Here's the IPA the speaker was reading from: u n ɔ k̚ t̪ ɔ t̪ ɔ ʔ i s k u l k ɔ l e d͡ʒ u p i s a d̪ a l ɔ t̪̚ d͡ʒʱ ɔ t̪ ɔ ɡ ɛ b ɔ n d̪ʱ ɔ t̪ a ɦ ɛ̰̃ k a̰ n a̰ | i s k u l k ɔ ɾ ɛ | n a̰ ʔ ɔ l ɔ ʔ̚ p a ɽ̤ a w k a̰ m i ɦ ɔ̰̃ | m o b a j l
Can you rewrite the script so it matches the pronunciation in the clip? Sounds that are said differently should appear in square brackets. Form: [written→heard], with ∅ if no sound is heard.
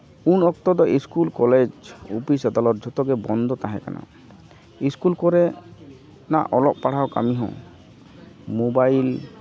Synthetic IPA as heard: u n ɔ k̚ t̪ ɔ [t̪→d̪] ɔ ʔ i s k u l k ɔ l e d͡ʒ u p i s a d̪ a l ɔ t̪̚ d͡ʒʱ ɔ t̪ ɔ ɡ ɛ b ɔ n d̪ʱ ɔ t̪ a ɦ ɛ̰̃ k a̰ n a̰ | i s k u l k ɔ ɾ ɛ | n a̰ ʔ ɔ l ɔ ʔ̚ p a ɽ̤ a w k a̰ m i ɦ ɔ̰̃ | m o b a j l